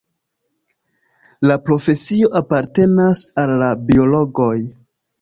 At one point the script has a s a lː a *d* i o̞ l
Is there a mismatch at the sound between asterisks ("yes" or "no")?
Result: yes